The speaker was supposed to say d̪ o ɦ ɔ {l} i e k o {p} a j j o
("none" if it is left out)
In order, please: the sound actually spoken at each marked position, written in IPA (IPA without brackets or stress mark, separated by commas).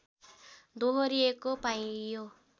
ɾ, p